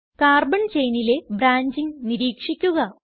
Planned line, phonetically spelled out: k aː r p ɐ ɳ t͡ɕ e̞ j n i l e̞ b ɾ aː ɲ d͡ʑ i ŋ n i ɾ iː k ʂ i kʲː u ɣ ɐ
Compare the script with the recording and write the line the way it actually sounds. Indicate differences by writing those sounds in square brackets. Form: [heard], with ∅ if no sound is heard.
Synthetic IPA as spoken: k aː r [b] ɐ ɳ t͡ɕ e̞ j n i l e̞ b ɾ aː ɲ d͡ʑ i ŋ n i ɾ iː k ʂ i kʲː u ɣ ɐ

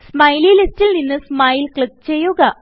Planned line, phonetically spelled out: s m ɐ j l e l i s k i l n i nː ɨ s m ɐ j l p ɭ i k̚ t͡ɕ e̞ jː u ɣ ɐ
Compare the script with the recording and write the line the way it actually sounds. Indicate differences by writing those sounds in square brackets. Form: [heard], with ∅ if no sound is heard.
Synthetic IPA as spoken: s m ɐ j l [i] l i s [t] i l n i nː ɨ s m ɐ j l [k] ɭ i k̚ t͡ɕ e̞ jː u ɣ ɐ

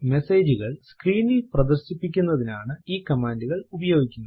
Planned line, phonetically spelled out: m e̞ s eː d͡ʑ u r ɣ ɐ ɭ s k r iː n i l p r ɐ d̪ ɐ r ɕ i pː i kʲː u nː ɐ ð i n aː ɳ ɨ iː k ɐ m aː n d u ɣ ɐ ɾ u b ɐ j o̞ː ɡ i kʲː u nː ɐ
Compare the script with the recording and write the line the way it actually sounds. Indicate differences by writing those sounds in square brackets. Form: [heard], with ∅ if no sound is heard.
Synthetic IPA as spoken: m e̞ s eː d͡ʑ u [∅] ɣ ɐ ɭ s k r iː n i l p r ɐ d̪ ɐ r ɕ i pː i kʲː u nː ɐ ð i n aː ɳ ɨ iː k ɐ m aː n d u ɣ ɐ [ɭ] u b ɐ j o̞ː ɡ i kʲː u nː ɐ

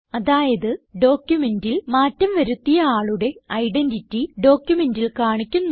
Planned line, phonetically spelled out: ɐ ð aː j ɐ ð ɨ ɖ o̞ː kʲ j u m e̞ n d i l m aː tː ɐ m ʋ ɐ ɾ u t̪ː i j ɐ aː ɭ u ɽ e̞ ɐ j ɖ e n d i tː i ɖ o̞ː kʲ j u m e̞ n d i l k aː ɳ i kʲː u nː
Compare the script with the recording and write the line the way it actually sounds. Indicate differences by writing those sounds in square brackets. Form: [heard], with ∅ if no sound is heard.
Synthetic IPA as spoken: ɐ ð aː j ɐ ð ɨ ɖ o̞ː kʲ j u m e̞ n d i l m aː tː ɐ m ʋ ɐ ɾ u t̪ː i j ɐ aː ɭ u ɽ e̞ ɐ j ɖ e n d i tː i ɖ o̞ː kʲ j u m e̞ n d i l k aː ɳ i kʲː u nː

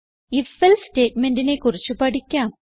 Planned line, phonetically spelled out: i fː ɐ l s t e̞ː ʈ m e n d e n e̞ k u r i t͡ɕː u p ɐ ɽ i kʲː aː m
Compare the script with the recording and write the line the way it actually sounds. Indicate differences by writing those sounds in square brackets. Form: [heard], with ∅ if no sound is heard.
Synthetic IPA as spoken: i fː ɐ l s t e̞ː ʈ m e n d [i] n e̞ k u r i t͡ɕː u p ɐ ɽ i kʲː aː m

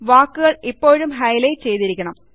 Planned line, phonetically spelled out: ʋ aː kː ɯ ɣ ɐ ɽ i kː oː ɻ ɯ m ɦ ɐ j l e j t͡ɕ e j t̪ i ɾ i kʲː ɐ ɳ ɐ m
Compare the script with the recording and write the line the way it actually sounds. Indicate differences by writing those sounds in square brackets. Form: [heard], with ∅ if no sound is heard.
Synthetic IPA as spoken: ʋ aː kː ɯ ɣ ɐ [ɭ] i [pː] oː ɻ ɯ m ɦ ɐ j l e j t͡ɕ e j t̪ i ɾ i kʲː ɐ ɳ ɐ m

